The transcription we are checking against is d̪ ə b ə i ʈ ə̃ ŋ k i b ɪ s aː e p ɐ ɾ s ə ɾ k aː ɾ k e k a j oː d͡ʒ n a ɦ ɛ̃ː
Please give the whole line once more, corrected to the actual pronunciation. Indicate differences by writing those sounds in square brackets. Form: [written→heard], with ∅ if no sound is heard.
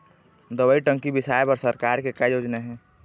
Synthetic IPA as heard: d̪ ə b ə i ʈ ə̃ ŋ k i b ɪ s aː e p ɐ ɾ s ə ɾ k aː ɾ k e k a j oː d͡ʒ n a ɦ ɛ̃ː